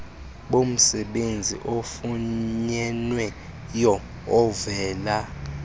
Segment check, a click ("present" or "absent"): absent